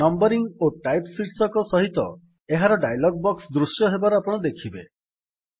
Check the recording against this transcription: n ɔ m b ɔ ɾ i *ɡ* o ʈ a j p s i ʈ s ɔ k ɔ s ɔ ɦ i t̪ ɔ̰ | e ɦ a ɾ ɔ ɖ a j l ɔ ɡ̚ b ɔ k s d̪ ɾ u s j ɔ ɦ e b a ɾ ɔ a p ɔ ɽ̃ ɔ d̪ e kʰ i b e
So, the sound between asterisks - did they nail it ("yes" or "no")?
no